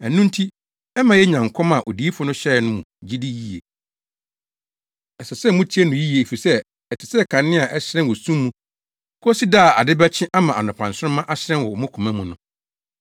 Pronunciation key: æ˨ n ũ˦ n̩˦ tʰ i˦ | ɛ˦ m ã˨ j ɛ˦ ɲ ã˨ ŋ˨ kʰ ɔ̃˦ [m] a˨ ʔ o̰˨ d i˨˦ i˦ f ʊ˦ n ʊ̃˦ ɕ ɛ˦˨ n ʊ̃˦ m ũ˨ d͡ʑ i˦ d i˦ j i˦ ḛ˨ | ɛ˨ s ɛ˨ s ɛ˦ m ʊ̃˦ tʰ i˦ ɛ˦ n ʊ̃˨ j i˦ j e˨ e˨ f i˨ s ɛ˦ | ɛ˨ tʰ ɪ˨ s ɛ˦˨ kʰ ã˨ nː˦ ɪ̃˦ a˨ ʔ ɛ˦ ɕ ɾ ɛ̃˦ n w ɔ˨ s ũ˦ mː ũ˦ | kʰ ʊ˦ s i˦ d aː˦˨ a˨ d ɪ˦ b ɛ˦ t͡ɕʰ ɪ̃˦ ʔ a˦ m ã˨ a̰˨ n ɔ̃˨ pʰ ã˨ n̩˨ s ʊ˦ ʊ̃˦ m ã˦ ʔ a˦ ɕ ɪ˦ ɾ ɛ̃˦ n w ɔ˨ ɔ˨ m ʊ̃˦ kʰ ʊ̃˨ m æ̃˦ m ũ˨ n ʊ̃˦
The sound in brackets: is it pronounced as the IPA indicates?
yes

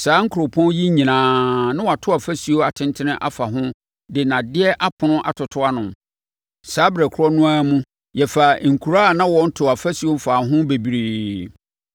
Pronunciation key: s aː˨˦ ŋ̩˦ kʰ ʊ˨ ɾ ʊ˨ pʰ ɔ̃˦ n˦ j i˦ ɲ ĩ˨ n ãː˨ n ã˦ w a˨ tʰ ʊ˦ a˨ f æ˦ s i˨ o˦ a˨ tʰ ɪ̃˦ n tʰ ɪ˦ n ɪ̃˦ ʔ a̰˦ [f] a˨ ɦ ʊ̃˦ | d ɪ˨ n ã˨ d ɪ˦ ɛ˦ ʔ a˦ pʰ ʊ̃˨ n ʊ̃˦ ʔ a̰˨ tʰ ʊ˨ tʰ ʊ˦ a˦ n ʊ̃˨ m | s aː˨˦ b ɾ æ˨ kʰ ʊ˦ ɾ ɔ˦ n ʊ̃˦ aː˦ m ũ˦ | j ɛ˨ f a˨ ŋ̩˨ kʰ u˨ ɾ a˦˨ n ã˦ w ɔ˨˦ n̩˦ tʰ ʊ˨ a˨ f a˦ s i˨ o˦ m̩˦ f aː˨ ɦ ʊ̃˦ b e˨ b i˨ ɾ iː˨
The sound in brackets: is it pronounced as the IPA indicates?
yes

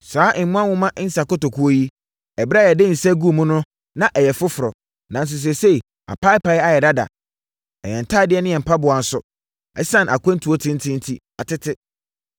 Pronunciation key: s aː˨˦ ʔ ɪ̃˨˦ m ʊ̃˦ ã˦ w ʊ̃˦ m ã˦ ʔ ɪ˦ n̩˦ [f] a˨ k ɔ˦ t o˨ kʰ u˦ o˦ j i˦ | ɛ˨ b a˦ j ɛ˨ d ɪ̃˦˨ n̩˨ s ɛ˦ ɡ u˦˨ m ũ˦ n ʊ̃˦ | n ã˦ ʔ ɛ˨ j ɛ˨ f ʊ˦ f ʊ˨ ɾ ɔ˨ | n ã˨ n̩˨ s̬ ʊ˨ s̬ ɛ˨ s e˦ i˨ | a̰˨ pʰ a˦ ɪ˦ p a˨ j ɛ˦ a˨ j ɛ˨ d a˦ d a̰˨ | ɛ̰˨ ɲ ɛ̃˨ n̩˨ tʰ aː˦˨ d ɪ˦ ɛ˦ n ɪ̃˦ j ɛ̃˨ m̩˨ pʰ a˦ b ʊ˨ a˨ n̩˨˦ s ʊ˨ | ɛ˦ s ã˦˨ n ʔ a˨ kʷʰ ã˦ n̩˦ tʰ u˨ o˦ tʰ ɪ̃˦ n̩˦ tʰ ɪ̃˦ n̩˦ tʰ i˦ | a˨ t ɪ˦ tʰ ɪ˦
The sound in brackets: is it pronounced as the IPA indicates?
no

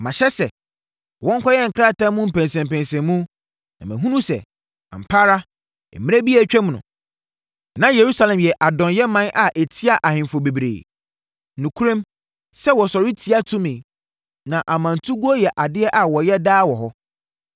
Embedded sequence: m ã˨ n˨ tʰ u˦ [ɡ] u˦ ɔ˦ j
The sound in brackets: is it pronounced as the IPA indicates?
yes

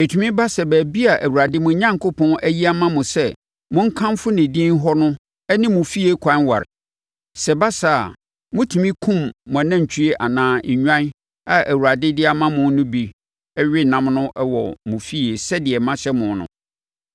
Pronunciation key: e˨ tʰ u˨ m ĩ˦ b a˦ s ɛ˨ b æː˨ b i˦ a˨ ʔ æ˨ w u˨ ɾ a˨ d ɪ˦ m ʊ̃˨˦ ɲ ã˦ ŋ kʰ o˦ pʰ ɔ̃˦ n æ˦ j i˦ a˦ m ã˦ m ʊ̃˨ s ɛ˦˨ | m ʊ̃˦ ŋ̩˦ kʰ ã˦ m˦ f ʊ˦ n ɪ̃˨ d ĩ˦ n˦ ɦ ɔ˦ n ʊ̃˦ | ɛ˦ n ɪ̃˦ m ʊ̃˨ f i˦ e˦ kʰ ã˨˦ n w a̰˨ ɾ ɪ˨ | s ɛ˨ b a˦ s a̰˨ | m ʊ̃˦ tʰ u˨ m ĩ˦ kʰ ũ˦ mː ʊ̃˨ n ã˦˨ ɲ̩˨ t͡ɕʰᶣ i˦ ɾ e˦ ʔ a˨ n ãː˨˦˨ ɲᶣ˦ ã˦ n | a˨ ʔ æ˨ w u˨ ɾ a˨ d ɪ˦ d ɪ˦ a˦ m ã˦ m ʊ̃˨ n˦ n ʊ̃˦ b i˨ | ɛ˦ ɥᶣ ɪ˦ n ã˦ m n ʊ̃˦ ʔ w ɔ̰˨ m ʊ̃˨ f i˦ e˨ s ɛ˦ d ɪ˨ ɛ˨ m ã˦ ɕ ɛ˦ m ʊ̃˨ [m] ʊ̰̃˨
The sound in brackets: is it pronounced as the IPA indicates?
no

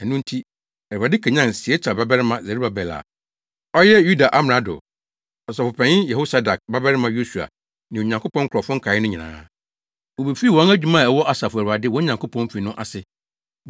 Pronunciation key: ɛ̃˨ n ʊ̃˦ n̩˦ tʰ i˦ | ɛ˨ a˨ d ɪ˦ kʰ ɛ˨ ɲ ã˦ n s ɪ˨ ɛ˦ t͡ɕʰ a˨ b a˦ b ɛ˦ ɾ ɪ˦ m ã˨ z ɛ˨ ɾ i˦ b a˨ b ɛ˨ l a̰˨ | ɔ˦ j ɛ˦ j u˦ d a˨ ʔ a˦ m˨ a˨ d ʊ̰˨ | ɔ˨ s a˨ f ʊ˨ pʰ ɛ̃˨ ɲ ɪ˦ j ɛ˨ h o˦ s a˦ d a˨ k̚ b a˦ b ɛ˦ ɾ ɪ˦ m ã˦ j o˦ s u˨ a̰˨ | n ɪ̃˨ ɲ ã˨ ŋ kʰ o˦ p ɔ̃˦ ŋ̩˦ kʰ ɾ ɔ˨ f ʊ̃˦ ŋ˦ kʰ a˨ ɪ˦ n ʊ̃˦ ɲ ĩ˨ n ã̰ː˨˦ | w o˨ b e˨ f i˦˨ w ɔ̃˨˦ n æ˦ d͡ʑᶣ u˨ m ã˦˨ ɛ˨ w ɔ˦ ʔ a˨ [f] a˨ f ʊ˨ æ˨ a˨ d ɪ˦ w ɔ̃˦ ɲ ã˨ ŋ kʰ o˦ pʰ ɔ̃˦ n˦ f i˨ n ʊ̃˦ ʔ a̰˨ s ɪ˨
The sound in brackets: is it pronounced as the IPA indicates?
no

